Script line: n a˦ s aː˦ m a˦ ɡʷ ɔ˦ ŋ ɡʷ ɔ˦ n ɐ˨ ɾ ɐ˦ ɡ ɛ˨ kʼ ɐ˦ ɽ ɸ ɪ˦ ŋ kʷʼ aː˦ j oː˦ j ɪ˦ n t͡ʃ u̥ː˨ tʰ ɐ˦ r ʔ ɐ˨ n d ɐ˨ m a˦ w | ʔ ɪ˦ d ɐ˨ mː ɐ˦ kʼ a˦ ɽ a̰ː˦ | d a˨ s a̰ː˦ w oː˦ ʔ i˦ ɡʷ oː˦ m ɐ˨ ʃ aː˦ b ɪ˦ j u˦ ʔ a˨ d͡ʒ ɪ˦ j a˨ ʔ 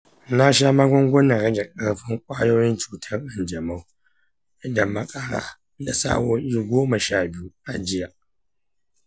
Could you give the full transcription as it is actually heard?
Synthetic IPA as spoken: n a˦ ʃ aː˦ m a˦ ɡʷ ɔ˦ ŋ ɡʷ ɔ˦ n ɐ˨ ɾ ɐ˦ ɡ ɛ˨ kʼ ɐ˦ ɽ ɸ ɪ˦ ŋ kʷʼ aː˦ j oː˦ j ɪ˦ n t͡ʃ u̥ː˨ tʰ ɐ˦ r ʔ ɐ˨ n d͡ʒ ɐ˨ m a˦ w | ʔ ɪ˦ d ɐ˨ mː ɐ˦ kʼ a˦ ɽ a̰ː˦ | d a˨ s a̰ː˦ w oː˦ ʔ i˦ ɡʷ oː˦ m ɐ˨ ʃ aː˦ b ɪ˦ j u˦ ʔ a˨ d͡ʒ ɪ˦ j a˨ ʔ